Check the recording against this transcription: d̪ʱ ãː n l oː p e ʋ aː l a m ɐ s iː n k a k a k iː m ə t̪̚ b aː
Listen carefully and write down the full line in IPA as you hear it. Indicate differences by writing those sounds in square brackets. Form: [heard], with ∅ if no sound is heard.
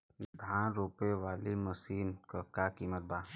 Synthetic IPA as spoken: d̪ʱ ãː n [ɾ] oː p e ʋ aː l [i] m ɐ s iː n k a k a k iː m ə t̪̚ b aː